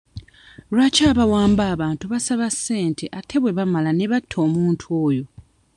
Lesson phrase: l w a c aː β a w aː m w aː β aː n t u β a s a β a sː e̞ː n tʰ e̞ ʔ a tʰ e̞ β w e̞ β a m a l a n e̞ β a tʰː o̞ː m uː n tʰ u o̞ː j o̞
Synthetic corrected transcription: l w a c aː β a w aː m b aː β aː n t u β a s a β a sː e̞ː n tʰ e̞ ʔ a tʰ e̞ β w e̞ β a m a l a n e̞ β a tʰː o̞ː m uː n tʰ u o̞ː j o̞